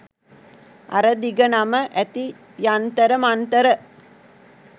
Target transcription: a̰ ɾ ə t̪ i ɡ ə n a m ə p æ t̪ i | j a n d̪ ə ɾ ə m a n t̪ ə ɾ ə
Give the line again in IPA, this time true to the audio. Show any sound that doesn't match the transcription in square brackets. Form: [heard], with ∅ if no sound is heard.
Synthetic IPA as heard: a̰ ɾ ə [d̪] i ɡ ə n a m ə [ʔ] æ t̪ i | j a n [t̪] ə ɾ ə m a n t̪ ə ɾ ə